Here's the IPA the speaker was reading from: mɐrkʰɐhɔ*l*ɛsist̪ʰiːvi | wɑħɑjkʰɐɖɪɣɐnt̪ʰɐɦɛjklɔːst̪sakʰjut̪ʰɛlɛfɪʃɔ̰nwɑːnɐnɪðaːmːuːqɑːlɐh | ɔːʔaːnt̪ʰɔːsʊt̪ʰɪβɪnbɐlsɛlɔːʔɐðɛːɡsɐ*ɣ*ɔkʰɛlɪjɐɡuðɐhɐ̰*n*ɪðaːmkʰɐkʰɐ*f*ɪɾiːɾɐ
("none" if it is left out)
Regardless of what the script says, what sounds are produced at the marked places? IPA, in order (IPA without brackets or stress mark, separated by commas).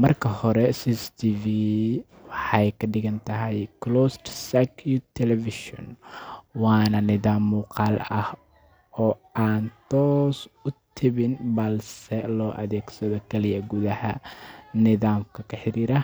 ɾ, ð, n, ħ